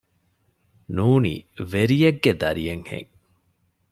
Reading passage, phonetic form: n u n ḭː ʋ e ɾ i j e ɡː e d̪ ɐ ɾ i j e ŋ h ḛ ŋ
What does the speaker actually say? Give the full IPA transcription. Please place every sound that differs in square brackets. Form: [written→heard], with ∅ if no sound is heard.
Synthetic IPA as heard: n [u→uː] n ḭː ʋ e ɾ i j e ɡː e d̪ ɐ ɾ i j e ŋ h ḛ ŋ